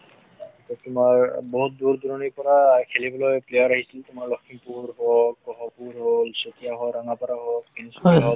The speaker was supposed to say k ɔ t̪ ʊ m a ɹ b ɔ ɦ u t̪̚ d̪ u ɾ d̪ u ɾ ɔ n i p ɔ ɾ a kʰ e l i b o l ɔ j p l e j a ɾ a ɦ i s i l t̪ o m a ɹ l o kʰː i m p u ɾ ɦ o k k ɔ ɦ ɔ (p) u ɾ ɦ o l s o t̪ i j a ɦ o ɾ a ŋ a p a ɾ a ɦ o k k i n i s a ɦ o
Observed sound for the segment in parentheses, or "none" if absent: p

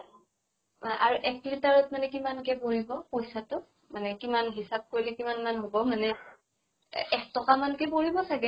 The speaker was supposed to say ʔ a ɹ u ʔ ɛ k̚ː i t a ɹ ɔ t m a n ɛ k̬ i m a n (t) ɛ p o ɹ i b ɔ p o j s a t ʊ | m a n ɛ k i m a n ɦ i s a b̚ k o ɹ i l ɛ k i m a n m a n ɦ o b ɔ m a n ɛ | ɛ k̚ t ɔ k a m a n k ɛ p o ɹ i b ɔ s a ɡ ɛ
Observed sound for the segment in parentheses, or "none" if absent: k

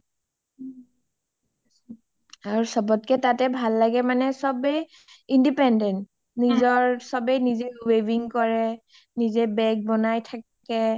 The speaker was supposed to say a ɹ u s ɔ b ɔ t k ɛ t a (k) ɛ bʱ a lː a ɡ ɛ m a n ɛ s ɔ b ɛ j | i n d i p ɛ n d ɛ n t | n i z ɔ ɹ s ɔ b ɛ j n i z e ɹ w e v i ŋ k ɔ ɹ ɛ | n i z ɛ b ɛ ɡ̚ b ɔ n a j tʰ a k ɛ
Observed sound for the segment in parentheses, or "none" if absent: t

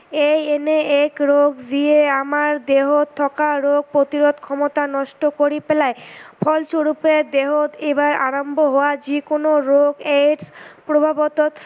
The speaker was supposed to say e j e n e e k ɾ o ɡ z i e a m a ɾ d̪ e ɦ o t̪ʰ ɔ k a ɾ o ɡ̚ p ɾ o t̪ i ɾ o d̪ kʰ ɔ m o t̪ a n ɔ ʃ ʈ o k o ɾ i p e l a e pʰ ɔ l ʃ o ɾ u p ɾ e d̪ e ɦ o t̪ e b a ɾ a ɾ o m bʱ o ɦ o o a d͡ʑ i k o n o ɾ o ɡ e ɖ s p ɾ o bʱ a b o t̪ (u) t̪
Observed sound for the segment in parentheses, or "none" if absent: o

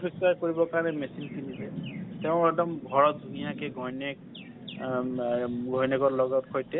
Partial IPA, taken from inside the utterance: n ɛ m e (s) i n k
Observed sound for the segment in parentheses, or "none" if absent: s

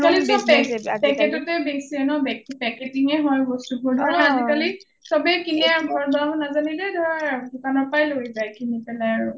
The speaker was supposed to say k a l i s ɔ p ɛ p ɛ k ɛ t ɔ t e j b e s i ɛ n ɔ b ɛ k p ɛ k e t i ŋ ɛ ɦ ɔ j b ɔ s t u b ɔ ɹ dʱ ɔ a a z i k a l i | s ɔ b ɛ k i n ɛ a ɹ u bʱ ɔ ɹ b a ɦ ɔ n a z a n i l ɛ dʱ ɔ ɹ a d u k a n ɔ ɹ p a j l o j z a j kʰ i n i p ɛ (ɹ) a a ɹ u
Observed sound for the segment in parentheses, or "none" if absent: l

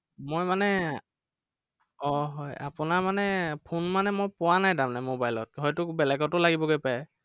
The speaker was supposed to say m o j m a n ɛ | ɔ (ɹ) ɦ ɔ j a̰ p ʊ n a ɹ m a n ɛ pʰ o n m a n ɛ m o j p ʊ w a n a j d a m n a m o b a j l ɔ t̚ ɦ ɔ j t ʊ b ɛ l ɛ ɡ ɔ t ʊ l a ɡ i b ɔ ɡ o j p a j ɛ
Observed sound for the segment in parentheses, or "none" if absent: none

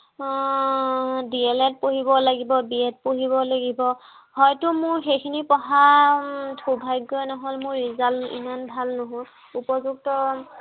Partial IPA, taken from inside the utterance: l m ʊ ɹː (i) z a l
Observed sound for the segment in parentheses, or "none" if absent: i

